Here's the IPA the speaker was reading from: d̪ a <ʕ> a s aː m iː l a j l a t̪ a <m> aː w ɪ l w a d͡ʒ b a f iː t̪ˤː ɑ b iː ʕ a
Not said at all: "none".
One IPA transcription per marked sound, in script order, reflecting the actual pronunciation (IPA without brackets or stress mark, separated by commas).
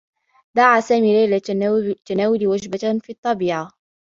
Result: ʕ, n